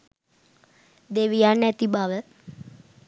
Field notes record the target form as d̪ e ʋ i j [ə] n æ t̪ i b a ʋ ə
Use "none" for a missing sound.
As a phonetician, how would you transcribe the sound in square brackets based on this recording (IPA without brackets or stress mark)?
a